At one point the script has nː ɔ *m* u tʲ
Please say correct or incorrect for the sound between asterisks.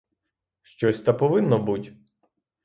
incorrect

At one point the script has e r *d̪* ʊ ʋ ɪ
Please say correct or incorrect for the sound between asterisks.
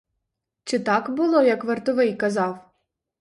incorrect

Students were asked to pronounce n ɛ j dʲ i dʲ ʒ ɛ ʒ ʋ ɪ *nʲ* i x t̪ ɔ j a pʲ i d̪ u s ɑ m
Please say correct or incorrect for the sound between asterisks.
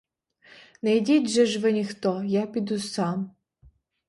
correct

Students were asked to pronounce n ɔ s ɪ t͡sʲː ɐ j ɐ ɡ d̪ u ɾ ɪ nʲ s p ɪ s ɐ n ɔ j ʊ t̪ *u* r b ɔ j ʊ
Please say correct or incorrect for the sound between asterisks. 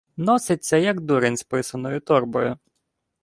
incorrect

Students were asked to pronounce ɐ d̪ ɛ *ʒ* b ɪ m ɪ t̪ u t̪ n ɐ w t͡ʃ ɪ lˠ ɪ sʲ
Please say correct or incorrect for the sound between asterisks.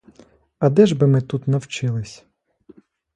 correct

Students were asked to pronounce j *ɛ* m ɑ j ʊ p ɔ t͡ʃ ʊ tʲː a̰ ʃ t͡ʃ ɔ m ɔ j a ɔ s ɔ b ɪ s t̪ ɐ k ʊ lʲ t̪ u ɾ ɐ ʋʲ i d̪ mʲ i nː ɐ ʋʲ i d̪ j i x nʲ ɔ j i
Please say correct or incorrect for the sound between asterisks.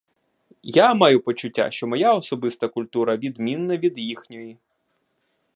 incorrect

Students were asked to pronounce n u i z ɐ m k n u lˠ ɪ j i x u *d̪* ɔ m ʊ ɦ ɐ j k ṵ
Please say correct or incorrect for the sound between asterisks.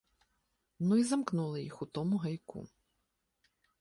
incorrect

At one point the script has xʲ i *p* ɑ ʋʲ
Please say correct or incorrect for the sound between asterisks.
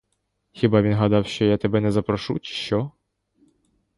incorrect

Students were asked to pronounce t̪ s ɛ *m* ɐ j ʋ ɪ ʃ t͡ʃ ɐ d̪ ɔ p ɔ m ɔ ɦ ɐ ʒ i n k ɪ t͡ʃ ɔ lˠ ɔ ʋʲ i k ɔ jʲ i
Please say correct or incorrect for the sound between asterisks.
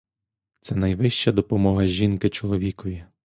incorrect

